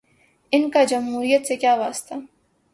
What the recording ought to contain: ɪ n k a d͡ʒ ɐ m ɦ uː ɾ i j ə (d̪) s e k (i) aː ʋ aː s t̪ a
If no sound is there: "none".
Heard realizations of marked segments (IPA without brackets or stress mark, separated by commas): t̪, j